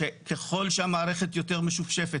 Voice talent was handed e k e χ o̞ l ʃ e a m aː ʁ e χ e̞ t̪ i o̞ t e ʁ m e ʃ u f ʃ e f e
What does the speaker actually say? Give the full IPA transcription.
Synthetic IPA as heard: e k e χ o̞ l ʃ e a m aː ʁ e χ e̞ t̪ j o̞ t e ʁ m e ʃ u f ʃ e f e